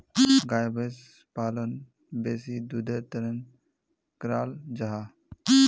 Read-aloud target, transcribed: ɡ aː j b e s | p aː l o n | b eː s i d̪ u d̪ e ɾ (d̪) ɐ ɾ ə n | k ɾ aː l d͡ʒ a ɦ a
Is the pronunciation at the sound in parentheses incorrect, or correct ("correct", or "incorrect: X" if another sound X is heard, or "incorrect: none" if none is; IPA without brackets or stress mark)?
incorrect: t̪